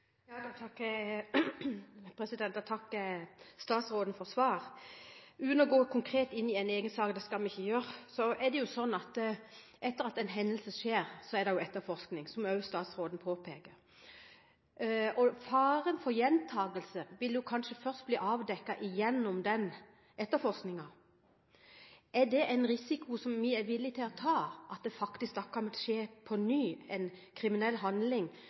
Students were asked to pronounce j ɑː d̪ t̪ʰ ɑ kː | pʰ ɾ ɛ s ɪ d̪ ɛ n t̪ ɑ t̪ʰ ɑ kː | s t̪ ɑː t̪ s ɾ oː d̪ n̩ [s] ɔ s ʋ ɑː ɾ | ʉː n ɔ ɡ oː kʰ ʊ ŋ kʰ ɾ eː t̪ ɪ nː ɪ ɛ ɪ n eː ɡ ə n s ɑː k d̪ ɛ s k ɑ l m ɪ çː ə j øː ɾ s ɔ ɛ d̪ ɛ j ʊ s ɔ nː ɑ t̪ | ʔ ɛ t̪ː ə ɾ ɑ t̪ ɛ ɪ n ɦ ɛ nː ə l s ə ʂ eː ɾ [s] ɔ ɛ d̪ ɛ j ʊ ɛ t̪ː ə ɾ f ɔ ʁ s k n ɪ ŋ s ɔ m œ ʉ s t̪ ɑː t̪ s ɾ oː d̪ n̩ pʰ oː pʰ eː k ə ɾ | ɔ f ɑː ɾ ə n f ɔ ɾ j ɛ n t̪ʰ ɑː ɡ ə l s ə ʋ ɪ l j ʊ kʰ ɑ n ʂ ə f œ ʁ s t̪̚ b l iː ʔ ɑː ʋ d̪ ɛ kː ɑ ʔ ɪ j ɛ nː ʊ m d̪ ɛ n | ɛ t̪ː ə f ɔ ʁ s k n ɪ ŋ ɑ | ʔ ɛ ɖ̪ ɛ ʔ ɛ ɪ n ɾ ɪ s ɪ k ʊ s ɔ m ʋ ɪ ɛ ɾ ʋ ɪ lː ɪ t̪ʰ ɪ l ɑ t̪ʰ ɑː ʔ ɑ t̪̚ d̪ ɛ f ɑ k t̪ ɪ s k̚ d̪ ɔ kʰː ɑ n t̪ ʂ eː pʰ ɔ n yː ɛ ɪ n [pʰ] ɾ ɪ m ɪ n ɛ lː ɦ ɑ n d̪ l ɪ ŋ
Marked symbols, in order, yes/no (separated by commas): no, yes, no